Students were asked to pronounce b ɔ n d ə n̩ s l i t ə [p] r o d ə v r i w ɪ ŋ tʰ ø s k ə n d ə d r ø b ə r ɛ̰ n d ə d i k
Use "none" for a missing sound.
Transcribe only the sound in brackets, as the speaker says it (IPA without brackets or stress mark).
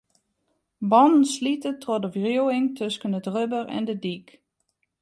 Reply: t